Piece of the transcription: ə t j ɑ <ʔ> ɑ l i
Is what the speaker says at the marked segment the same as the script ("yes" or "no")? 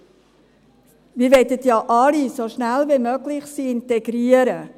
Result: yes